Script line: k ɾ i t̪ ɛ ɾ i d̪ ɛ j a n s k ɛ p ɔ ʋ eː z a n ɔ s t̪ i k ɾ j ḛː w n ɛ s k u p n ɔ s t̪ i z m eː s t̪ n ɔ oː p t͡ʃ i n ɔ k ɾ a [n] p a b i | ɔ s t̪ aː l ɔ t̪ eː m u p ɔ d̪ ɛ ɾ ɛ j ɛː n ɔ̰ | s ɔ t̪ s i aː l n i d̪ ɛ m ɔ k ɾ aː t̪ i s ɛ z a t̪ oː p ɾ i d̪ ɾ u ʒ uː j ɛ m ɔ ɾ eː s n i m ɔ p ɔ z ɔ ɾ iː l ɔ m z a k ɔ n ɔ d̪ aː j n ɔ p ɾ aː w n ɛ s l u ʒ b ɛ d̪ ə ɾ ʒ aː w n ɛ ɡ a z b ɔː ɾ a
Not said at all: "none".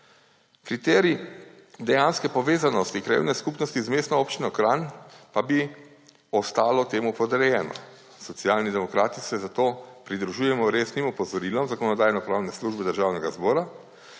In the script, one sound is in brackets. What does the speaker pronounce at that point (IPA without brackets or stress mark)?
n